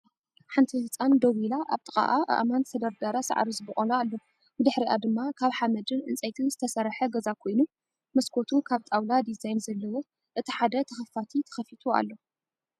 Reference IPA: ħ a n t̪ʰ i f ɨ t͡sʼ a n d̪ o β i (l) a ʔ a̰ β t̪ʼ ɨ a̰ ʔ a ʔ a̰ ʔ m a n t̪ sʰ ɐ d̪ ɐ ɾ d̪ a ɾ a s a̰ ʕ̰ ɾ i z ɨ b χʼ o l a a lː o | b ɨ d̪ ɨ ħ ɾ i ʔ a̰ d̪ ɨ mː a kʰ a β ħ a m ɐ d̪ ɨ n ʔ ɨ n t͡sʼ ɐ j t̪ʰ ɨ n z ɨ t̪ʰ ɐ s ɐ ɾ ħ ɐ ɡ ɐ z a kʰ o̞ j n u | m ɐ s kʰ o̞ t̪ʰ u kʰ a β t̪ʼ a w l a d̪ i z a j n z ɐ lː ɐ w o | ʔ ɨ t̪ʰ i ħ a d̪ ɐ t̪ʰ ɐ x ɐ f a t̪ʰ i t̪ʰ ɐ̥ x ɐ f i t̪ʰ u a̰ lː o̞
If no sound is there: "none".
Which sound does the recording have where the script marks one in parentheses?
l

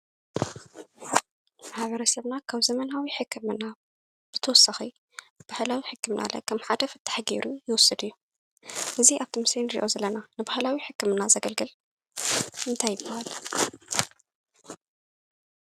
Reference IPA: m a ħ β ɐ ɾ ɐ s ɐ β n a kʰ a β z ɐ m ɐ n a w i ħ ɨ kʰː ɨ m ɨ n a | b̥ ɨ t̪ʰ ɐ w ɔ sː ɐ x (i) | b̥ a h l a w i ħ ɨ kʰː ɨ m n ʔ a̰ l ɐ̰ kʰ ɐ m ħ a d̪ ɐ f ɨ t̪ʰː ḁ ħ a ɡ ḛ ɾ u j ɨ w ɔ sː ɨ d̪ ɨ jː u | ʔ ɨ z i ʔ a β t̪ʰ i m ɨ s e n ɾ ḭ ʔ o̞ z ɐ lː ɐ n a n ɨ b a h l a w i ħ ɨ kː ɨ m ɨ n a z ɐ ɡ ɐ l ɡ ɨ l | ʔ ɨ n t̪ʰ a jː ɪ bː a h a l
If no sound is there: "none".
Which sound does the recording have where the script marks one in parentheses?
i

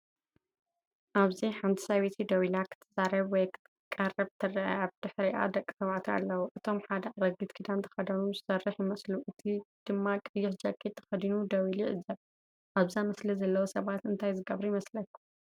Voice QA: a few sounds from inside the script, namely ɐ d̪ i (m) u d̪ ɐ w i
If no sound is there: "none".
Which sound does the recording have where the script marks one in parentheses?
n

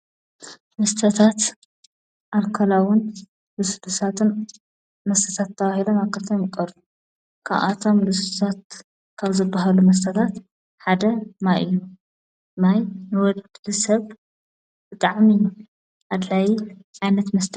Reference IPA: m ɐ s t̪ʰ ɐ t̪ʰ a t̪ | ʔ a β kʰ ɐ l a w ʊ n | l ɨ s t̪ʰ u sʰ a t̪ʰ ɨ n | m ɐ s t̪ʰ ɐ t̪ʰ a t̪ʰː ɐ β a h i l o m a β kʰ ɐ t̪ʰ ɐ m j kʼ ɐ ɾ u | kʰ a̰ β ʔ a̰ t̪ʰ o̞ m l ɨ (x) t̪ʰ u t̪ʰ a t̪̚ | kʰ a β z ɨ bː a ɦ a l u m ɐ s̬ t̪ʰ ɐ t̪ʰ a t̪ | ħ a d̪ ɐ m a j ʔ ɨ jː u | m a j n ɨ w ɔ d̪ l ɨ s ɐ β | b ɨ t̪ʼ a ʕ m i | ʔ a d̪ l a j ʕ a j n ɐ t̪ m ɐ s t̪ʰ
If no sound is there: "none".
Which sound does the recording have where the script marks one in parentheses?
s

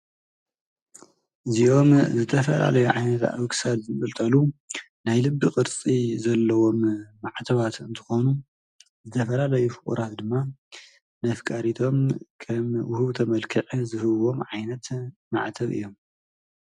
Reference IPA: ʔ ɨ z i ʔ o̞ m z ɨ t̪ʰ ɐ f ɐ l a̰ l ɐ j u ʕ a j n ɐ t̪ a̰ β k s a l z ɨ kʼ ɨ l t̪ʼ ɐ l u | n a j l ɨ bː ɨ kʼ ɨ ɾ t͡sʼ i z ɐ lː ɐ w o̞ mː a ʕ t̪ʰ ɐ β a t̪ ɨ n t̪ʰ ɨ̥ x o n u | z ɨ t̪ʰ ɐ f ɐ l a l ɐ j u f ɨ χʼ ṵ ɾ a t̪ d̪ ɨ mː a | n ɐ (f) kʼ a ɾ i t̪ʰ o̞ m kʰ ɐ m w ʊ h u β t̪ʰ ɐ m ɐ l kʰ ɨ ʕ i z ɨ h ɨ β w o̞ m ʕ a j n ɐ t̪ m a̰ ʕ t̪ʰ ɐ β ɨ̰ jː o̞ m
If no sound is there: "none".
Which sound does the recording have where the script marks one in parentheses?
f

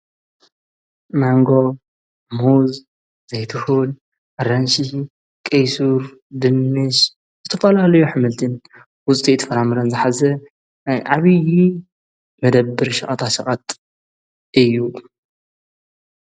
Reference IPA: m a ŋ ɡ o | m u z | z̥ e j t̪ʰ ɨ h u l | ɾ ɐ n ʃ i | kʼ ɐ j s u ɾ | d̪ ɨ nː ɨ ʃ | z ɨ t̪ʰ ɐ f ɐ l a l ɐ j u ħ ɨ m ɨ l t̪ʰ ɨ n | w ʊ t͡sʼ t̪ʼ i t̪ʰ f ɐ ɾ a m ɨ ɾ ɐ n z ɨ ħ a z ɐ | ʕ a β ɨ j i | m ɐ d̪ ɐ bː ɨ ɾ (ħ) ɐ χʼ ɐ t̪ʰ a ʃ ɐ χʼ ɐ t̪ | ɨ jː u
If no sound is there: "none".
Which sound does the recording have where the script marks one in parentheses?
ʃ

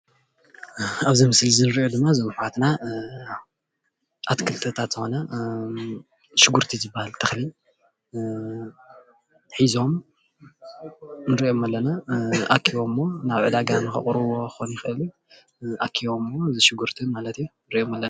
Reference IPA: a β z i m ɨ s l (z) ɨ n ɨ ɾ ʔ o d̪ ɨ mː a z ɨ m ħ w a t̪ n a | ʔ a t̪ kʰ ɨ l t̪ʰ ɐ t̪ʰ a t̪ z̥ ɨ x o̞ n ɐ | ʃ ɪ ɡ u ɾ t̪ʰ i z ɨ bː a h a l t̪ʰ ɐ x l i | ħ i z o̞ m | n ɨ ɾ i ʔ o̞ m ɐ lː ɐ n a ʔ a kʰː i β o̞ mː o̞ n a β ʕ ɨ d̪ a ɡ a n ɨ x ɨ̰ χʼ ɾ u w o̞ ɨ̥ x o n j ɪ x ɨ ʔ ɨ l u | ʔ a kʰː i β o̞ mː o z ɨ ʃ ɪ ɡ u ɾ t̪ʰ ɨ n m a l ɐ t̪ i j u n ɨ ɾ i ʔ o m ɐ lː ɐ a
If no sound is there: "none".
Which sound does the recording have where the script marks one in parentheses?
z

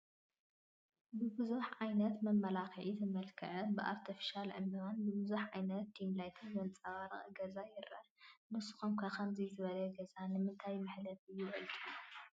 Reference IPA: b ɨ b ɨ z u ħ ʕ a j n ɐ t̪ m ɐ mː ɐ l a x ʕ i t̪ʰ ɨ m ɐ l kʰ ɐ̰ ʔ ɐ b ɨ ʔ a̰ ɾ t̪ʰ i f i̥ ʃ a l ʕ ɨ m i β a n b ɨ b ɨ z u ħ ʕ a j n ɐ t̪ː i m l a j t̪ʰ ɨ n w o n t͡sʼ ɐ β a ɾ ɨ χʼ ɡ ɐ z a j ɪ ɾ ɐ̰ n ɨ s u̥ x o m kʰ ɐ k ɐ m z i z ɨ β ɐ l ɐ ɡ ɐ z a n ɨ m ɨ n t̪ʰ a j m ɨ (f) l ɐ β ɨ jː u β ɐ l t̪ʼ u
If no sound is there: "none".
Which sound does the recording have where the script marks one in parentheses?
ħ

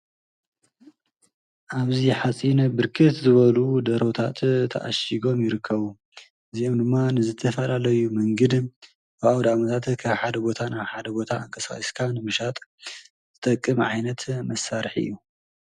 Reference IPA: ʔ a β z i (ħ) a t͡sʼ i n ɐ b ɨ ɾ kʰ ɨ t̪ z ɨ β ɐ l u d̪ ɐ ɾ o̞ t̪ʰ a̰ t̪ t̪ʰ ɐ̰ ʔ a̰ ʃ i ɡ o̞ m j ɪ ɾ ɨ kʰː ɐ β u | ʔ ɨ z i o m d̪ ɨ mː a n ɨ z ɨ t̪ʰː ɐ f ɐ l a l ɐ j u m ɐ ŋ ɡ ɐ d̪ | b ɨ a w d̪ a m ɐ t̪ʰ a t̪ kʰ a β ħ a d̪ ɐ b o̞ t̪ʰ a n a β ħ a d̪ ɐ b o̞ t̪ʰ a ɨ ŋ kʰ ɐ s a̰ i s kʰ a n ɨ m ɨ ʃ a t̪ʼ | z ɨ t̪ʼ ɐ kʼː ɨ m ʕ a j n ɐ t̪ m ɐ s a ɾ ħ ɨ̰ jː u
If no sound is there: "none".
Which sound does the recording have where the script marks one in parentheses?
ħ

